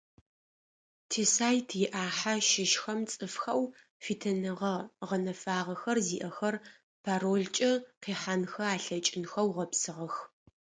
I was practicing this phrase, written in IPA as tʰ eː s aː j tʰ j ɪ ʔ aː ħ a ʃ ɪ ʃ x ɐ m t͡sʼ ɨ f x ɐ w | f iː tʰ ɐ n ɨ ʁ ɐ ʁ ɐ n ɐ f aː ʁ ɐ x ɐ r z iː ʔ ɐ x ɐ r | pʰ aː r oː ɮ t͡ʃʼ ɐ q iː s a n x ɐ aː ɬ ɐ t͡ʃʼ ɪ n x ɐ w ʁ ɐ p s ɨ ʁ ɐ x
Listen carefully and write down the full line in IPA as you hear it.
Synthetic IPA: tʰ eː s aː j tʰ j ɪ ʔ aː ħ a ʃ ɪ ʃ x ɐ m t͡sʼ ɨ f x ɐ w | f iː tʰ ɐ n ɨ ʁ ɐ ʁ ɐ n ɐ f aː ʁ ɐ x ɐ r z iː ʔ ɐ x ɐ r | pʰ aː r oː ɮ t͡ʃʼ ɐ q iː ħ a n x ɐ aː ɬ ɐ t͡ʃʼ ɪ n x ɐ w ʁ ɐ p s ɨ ʁ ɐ x